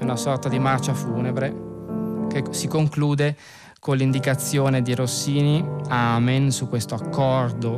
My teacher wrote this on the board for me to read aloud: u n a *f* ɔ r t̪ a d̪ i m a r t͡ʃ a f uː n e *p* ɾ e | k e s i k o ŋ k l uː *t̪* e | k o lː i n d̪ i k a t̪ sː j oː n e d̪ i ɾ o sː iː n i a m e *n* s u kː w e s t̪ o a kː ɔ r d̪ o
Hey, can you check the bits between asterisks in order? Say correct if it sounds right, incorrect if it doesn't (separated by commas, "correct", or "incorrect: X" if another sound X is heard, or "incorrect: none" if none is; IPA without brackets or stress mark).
incorrect: s, incorrect: b, incorrect: d̪, correct